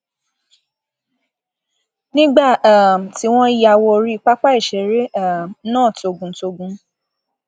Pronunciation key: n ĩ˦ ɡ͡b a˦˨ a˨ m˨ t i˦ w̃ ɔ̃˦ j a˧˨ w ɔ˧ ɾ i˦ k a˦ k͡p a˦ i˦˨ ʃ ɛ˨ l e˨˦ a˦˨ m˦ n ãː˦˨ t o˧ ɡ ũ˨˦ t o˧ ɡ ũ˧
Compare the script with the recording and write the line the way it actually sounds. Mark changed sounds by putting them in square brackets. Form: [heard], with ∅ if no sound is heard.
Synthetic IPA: n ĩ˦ ɡ͡b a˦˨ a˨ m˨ t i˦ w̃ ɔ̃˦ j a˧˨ w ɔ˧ ɾ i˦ [k͡p] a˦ k͡p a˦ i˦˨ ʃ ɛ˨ [ɾ] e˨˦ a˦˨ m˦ n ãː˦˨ t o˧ ɡ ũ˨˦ t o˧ ɡ ũ˧